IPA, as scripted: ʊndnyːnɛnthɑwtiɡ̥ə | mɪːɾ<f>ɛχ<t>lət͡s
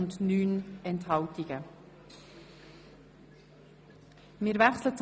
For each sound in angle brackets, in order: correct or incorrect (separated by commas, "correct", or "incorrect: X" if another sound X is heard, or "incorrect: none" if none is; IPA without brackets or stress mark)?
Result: incorrect: v, incorrect: s